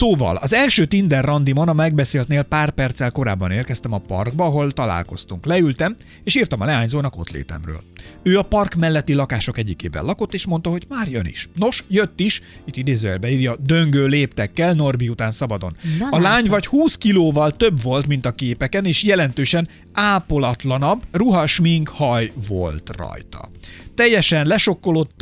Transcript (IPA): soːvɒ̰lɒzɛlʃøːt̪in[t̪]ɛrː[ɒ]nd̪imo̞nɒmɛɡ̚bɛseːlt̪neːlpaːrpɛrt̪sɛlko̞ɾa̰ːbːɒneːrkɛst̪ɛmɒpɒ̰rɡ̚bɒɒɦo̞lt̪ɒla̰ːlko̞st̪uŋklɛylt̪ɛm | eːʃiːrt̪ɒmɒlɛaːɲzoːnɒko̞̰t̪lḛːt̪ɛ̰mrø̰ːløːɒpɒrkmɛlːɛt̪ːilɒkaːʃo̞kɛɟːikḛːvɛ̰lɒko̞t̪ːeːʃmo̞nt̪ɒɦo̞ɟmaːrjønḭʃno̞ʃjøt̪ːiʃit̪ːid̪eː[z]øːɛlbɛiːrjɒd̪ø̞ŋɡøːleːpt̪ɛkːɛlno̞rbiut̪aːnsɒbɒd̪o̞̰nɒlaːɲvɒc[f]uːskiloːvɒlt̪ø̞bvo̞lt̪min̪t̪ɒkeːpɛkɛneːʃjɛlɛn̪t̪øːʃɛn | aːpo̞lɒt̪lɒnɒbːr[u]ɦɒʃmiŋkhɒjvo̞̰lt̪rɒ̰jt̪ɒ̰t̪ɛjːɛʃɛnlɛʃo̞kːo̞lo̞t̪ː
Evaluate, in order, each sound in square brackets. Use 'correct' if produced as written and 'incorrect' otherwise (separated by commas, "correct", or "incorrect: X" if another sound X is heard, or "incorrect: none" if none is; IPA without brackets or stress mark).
incorrect: d̪, correct, correct, incorrect: h, correct